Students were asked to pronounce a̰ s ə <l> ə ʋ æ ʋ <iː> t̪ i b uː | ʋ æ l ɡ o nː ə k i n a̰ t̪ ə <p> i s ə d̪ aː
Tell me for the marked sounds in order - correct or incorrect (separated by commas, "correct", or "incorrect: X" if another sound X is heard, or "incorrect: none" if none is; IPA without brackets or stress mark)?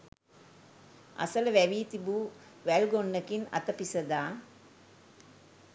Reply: correct, correct, correct